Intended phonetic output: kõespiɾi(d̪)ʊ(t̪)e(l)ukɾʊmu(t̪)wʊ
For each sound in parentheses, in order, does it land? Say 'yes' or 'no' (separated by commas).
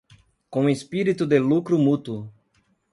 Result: no, no, yes, yes